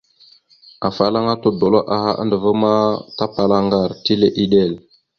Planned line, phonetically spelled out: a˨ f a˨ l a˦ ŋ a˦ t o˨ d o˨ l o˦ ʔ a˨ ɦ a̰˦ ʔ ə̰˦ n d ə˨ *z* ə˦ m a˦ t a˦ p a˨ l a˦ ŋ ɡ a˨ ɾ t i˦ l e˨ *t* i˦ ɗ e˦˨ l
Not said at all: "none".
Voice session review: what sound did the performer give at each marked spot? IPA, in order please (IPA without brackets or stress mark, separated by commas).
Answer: v, ʔ